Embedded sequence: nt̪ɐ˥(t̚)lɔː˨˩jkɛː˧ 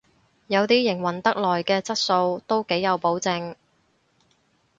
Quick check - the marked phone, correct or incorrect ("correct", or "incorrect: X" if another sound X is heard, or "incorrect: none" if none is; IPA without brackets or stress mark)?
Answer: incorrect: k̚